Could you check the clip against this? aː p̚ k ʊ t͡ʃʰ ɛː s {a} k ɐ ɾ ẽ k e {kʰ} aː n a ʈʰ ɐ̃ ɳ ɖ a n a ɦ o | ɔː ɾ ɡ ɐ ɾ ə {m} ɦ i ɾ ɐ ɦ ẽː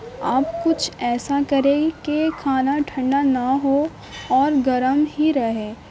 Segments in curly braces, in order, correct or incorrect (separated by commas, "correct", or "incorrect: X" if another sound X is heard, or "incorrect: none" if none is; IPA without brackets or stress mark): correct, correct, correct